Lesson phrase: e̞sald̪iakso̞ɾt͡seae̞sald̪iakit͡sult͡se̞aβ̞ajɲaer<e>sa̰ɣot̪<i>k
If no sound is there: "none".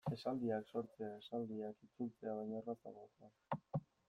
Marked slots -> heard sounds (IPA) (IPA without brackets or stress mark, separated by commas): a, a